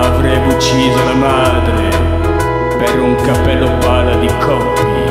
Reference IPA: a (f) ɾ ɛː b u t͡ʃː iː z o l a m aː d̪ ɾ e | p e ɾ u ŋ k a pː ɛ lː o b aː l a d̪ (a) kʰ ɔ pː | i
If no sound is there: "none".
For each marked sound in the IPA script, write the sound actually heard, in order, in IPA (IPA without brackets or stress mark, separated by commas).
v, i